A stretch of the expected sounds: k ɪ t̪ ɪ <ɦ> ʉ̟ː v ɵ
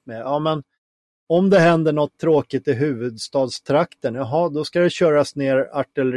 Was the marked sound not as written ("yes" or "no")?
no